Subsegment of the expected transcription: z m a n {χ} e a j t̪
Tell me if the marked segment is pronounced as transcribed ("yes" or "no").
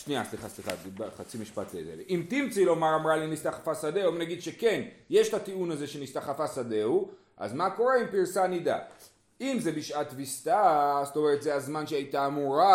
no